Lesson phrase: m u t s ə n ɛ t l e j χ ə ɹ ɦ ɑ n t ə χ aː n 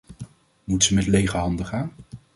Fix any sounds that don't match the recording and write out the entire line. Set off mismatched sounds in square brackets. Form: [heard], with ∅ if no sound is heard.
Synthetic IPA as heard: m u t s ə [m] ɛ t l e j χ ə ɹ ɦ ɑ n [d] ə χ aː n